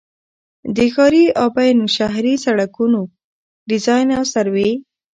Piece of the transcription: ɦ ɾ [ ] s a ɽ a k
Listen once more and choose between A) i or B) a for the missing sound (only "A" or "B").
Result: A